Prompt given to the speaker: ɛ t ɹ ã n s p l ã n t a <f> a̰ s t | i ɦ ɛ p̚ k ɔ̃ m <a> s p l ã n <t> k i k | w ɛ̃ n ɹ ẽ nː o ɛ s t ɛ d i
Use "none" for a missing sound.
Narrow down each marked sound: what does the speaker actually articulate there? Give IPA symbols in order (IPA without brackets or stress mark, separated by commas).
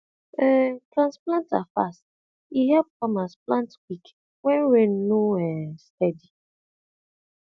f, a, t